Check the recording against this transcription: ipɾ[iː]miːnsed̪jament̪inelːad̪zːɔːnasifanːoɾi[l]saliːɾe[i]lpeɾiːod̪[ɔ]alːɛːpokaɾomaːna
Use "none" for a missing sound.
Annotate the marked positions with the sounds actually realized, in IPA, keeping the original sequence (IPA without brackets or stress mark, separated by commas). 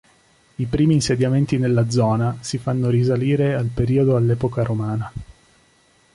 iː, none, a, o